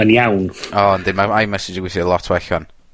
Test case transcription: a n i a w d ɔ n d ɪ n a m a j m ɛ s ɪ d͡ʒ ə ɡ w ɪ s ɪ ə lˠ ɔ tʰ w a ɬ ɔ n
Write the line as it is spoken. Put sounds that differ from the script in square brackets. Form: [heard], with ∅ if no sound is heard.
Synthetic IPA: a n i a w [n] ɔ n d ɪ [m] a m a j m ɛ s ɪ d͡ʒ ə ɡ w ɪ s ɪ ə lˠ ɔ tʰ w [ɛ] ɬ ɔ n